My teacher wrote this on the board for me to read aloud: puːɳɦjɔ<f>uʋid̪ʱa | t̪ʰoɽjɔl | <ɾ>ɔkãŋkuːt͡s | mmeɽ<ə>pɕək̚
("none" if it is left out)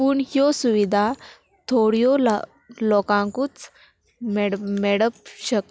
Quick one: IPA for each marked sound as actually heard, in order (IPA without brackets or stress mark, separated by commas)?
s, l, ə